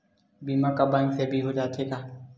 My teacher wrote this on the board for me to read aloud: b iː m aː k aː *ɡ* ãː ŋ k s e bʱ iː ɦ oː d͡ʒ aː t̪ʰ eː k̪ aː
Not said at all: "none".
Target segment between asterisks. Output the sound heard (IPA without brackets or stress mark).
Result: b